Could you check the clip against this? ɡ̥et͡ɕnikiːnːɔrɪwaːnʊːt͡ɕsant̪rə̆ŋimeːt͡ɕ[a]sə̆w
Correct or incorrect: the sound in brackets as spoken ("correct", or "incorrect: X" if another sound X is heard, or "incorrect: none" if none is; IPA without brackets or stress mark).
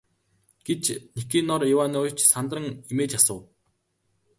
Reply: correct